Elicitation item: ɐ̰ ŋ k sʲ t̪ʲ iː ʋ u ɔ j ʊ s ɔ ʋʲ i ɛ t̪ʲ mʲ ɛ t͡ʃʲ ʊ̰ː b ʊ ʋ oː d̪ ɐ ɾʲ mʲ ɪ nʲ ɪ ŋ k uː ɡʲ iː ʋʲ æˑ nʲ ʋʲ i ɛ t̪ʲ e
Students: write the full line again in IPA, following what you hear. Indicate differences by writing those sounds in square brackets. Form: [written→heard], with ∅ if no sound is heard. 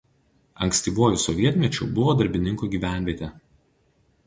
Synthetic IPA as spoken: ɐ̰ ŋ k sʲ t̪ʲ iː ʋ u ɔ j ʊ s ɔ ʋʲ i ɛ t̪ʲ mʲ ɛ t͡ʃʲ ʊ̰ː b ʊ ʋ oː d̪ ɐ ɾʲ [mʲ→bʲ] ɪ nʲ ɪ ŋ k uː ɡʲ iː ʋʲ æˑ nʲ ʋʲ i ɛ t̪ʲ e